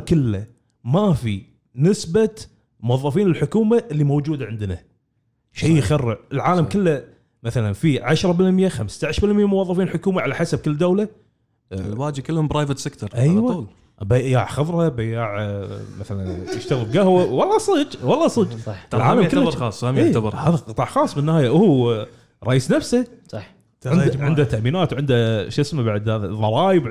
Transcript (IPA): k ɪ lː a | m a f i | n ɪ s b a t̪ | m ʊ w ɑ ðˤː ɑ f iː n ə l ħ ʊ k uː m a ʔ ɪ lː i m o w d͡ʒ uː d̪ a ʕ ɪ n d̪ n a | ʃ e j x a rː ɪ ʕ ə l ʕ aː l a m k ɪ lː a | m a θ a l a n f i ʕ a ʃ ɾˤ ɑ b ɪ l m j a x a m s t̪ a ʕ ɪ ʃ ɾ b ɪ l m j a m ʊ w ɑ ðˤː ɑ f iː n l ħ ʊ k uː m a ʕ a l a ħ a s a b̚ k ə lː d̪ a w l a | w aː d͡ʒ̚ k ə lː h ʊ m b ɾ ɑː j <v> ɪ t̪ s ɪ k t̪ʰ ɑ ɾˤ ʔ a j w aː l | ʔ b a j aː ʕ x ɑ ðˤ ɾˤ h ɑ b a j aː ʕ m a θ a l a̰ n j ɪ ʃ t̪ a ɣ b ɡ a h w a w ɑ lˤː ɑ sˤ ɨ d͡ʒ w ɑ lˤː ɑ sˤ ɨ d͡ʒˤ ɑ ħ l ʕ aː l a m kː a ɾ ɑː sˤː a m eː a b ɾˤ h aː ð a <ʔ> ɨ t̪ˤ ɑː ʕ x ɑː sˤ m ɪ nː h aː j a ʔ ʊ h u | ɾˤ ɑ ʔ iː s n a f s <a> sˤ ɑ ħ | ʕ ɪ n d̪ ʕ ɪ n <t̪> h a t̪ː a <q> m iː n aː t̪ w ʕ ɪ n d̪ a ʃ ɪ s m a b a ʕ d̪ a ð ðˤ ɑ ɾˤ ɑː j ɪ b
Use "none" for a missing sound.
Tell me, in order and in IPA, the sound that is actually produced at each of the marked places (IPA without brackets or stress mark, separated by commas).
v, q, a, d̪, ʔ